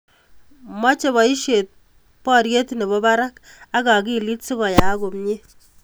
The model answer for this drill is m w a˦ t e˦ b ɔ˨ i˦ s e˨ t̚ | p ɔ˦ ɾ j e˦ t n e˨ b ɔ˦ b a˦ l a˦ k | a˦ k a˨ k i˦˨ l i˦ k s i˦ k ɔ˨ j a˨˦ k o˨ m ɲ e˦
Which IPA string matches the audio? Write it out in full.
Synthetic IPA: m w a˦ t͡ʃ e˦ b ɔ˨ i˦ ʃ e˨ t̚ | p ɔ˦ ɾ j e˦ t n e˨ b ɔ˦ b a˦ ɾ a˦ k | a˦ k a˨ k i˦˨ l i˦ t s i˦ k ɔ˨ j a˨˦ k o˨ m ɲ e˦